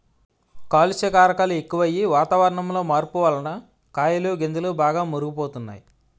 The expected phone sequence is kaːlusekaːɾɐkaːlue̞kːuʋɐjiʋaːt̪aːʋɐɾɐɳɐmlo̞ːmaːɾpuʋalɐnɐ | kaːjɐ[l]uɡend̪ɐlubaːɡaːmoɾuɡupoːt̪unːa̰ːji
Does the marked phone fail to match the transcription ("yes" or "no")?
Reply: no